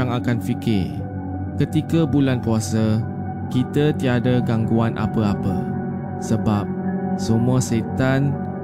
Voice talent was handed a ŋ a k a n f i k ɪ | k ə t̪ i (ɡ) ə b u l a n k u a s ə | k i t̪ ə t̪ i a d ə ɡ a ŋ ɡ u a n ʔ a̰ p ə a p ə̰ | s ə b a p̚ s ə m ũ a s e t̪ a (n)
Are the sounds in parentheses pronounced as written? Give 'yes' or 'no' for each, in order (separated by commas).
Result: no, yes